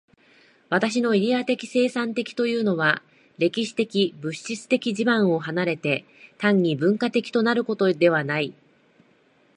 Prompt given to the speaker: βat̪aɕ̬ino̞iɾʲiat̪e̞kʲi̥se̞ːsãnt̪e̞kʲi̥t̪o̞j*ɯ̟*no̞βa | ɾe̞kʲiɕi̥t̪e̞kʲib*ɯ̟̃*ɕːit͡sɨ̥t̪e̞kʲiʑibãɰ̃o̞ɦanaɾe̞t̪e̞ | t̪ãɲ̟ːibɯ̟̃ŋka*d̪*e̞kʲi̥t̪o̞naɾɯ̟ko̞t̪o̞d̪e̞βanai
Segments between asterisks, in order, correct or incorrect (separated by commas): incorrect, incorrect, incorrect